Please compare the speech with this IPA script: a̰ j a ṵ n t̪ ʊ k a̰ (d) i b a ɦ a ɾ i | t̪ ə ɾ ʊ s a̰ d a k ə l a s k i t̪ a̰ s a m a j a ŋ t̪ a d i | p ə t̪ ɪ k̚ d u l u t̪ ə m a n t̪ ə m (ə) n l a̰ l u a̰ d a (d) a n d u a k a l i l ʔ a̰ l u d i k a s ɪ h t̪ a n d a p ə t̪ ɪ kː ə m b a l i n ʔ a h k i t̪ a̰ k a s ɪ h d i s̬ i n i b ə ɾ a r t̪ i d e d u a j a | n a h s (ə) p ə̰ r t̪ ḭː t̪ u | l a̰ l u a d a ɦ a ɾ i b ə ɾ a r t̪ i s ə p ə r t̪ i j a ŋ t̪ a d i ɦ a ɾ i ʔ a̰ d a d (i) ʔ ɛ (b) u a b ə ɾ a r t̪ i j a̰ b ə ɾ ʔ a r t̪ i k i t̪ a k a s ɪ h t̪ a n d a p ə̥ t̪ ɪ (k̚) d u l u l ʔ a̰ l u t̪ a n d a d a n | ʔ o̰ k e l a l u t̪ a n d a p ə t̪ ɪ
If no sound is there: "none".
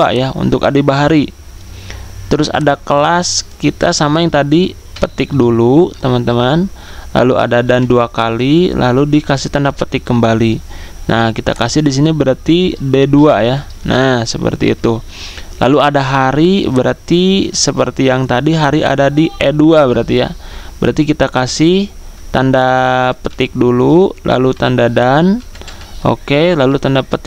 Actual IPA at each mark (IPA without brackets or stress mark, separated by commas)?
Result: d, a, d, ə, i, d, k̚